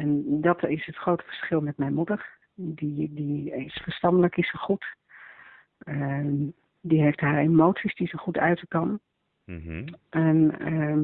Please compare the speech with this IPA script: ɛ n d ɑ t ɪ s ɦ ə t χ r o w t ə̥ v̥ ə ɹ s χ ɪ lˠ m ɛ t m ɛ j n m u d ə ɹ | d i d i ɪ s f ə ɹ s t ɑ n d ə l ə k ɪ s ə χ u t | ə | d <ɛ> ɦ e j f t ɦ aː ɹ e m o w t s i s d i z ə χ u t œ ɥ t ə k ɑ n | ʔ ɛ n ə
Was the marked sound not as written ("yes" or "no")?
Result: yes